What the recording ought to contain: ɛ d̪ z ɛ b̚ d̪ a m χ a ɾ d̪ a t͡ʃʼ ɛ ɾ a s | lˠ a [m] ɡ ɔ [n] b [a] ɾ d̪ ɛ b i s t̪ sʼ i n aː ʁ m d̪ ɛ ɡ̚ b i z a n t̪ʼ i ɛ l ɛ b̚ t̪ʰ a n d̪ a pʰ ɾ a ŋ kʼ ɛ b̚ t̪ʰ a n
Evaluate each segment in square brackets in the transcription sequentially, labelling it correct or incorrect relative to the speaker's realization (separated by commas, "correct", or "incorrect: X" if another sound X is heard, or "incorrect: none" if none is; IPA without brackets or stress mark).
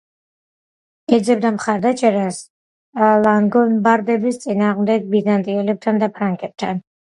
incorrect: ŋ, correct, correct